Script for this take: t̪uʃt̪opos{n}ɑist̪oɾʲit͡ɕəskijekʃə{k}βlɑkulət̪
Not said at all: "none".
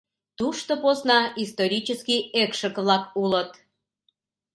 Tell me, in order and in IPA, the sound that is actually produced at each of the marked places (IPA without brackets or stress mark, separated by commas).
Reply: n, k